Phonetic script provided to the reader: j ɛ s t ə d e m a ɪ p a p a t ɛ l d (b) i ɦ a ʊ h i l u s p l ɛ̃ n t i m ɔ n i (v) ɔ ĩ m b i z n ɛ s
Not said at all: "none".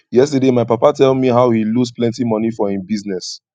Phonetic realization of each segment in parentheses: m, f

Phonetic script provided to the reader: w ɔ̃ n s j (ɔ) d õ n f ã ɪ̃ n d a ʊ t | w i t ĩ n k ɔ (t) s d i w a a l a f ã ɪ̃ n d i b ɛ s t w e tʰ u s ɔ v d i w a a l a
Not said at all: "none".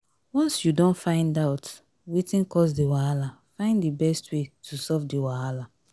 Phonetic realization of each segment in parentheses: u, none

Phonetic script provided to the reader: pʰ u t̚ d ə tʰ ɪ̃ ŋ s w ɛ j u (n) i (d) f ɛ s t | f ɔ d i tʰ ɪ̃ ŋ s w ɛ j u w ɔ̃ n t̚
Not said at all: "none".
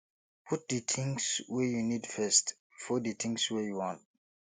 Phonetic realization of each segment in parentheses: n, d

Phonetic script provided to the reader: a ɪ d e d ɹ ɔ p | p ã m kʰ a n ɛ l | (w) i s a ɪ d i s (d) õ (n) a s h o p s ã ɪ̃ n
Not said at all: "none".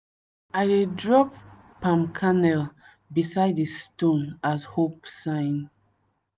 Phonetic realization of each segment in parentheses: b, t, n

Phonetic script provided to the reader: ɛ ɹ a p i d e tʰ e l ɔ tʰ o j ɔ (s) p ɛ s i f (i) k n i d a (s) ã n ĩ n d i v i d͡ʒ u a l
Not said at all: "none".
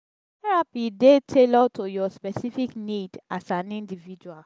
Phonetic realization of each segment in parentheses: s, i, s

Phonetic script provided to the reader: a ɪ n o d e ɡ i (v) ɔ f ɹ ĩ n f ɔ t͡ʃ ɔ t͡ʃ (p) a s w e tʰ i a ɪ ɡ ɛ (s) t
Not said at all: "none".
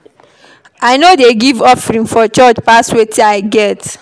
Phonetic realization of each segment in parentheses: v, p, none

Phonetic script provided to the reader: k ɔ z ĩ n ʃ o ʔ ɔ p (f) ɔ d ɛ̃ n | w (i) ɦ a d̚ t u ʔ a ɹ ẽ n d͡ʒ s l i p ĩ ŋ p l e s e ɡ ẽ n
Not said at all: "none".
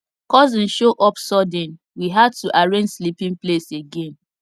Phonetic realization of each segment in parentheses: s, i

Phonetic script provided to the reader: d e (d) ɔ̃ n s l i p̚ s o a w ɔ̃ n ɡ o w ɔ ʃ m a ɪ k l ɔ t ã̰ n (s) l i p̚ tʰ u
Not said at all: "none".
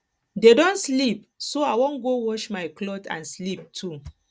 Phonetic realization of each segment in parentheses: d, s

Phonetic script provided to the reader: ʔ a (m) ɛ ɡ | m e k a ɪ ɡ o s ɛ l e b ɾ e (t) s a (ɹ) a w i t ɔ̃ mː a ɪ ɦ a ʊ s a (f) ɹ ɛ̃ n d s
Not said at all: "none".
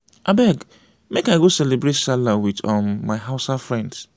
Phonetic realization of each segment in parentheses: b, t, l, f

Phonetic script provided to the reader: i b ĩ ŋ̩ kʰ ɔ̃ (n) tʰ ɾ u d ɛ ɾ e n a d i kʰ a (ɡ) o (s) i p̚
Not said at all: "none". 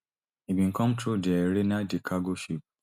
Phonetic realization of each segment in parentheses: m, ɡ, ʃ

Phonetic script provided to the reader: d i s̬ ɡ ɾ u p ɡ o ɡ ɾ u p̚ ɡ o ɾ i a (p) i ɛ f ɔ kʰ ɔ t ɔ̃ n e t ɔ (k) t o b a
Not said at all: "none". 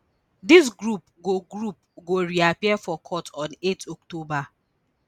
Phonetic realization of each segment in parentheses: p, k

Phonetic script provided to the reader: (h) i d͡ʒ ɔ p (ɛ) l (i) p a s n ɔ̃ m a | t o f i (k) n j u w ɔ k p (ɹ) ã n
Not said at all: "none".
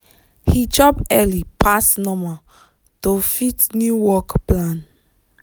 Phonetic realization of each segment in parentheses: h, ɛ, i, t, l

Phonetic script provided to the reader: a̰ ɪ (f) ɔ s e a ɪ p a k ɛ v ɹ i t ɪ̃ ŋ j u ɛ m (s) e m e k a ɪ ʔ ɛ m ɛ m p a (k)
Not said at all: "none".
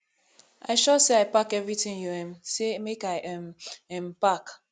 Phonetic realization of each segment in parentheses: ʃ, s, k

